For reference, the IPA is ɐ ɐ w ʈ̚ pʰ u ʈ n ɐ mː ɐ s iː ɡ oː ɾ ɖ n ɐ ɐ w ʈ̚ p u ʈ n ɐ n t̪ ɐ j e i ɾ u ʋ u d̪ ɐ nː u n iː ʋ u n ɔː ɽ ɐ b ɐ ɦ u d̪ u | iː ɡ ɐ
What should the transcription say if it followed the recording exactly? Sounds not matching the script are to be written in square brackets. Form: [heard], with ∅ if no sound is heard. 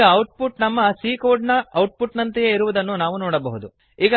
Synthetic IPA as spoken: ɐ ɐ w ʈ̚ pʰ u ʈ n ɐ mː ɐ s iː [k] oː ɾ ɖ n ɐ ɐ w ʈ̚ p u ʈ n ɐ n t̪ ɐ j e i ɾ u ʋ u d̪ ɐ nː u n [aː] ʋ u n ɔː ɽ ɐ b ɐ ɦ u d̪ u | iː ɡ ɐ